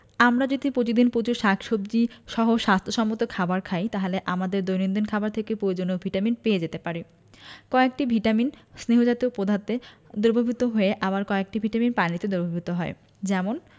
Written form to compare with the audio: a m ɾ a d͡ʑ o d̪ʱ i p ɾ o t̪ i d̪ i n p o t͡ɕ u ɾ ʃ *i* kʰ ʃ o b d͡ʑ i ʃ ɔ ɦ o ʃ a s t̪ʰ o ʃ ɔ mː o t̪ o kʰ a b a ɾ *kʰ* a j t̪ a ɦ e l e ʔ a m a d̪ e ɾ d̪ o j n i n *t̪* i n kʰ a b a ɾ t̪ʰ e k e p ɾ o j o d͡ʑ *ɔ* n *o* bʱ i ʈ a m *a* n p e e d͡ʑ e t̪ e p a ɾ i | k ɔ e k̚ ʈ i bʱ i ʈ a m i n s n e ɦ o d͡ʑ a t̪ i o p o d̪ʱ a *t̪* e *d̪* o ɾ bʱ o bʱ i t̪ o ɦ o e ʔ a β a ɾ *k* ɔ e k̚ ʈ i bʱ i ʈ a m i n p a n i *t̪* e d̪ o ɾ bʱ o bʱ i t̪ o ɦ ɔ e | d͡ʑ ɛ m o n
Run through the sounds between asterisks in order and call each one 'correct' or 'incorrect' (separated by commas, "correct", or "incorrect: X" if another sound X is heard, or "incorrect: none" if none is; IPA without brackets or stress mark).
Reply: incorrect: a, correct, incorrect: d̪, incorrect: o, correct, incorrect: i, correct, correct, correct, correct